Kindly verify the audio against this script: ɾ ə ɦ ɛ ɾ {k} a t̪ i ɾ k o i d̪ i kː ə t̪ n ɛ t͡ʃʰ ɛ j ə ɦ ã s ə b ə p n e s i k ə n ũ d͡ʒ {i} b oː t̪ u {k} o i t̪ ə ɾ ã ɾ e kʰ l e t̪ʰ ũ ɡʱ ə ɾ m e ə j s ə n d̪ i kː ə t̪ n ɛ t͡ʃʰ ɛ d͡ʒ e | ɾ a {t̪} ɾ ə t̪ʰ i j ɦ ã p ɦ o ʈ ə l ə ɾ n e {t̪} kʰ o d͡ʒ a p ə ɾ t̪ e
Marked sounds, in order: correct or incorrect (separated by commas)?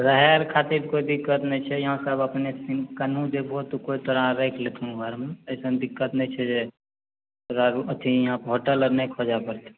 incorrect, incorrect, correct, incorrect, incorrect